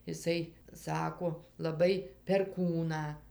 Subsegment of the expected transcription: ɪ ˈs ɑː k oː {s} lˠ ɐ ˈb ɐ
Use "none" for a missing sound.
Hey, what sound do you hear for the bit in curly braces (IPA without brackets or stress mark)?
none